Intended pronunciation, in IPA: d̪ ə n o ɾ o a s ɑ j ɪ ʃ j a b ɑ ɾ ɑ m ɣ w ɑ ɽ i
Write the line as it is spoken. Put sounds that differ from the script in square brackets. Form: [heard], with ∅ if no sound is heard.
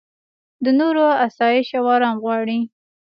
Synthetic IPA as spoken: d̪ ə n o ɾ o a s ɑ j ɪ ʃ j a [w] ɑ ɾ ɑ m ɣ w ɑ ɽ i